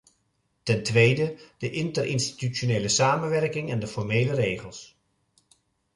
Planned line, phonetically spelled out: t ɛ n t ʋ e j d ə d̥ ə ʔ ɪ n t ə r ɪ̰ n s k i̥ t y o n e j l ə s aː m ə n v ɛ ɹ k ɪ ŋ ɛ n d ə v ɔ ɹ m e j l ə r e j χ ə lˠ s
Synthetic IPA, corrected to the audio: t ɛ n t ʋ e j d ə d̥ ə ʔ ɪ n t ə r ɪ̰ n s t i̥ t y o n e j l ə s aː m ə n ʋ ɛ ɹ k ɪ ŋ ɛ n d ə f ɔ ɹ m e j l ə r e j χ ə lˠ s